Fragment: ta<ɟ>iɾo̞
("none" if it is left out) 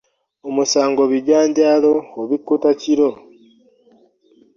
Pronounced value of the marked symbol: c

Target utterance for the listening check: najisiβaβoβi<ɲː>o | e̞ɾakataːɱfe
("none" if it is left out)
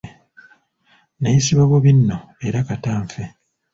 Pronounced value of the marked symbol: nː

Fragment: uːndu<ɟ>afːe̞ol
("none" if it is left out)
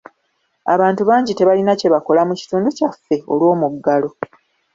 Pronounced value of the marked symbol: c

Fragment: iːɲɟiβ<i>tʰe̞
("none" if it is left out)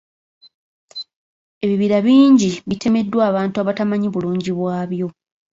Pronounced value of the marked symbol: i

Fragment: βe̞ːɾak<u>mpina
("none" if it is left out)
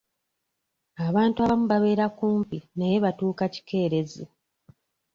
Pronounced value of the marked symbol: uː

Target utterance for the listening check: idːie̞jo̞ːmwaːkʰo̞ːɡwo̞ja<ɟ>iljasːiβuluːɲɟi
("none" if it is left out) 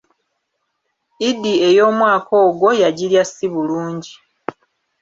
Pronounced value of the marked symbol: ɟ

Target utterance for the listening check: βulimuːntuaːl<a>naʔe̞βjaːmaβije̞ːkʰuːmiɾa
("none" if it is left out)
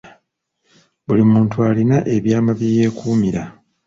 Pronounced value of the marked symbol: i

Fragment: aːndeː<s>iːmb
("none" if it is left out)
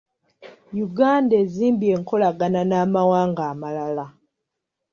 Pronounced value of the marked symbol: z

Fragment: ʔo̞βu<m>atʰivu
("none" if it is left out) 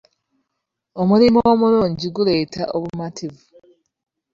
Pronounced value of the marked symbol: m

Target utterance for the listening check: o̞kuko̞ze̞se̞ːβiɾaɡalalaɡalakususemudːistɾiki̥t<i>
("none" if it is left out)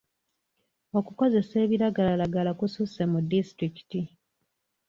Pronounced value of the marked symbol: i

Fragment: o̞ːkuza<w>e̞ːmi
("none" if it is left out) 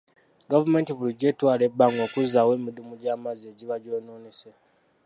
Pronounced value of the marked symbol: w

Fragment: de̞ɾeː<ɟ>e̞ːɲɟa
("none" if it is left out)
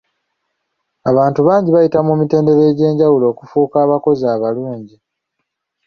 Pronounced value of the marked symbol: ɟ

